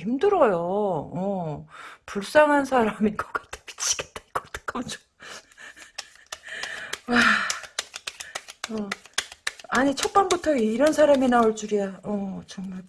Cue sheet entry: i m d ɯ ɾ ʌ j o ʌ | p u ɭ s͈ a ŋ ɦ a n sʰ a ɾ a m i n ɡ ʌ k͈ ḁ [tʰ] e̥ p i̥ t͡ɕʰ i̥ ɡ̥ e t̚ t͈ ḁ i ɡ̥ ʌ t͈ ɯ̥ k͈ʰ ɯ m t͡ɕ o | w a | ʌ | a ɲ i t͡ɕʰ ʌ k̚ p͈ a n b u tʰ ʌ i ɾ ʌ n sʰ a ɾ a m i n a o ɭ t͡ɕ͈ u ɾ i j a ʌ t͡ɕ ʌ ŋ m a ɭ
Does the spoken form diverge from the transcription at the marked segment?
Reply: no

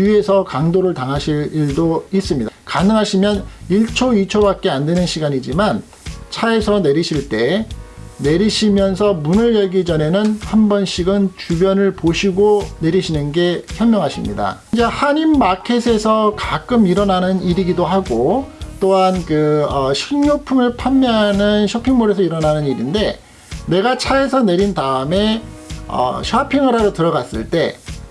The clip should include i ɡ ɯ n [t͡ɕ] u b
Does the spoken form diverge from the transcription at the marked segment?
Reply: no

